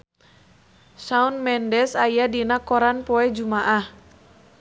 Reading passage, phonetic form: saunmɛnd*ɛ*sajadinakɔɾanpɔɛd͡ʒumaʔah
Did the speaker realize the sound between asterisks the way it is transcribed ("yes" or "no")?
yes